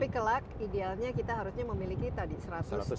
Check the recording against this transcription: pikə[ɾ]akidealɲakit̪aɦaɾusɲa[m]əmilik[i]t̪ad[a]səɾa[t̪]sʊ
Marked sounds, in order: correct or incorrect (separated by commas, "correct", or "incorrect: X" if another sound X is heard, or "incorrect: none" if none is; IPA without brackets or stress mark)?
incorrect: l, correct, correct, incorrect: i, correct